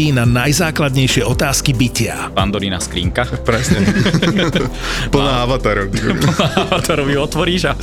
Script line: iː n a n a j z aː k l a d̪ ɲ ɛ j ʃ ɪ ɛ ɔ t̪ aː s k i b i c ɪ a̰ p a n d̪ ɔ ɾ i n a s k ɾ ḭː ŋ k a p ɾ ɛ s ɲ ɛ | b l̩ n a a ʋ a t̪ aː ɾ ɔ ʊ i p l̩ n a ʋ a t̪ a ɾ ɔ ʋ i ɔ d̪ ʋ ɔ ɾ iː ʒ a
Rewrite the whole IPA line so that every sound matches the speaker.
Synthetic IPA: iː n a n a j z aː k l a d̪ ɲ ɛ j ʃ ɪ ɛ ɔ t̪ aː s k i b i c ɪ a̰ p a n d̪ ɔ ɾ i n a s k ɾ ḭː ŋ k a p ɾ ɛ s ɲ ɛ | p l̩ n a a ʋ a t̪ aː ɾ ɔ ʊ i p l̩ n a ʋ a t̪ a ɾ ɔ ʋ i ɔ t̪ ʋ ɔ ɾ iː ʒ a